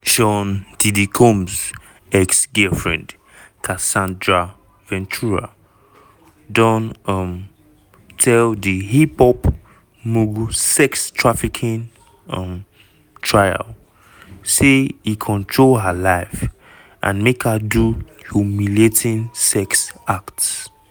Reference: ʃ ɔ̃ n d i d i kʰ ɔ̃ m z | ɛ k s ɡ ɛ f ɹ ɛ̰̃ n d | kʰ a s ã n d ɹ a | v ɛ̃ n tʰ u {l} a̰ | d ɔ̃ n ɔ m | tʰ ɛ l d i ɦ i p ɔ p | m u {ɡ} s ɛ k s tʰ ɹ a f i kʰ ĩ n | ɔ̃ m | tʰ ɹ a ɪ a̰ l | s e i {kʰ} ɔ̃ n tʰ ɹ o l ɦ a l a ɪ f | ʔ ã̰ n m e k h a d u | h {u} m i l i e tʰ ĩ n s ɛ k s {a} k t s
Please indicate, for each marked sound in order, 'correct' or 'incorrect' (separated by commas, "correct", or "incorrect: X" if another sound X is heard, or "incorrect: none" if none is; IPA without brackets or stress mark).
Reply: incorrect: ɹ, correct, correct, correct, correct